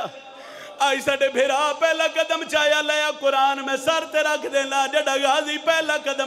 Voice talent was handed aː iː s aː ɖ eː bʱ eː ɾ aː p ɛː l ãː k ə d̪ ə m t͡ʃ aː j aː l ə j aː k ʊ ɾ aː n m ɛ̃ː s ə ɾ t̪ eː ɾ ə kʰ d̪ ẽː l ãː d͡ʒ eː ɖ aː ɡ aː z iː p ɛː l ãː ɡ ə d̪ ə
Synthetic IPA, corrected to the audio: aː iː s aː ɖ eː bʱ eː ɾ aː p ɛː l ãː k ə d̪ ə m t͡ʃ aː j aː l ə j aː k ʊ ɾ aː n m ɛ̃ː s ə ɾ t̪ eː ɾ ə kʰ d̪ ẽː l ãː d͡ʒ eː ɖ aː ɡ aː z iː p ɛː l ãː k ə d̪ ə